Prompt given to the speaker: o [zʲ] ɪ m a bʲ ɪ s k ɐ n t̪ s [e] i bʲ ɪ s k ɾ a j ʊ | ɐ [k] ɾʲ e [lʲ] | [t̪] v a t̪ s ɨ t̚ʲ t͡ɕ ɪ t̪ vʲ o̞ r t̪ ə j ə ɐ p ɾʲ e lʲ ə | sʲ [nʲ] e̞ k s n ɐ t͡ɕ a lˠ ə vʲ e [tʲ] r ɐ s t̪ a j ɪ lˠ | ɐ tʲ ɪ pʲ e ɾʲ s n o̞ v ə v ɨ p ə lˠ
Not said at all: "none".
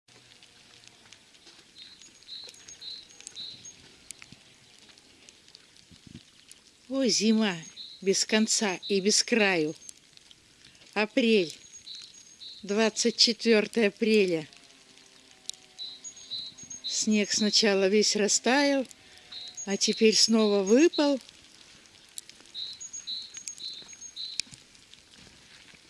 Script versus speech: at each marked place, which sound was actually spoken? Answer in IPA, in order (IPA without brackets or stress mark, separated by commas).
zʲ, a, p, lʲ, d̪, nʲ, sʲ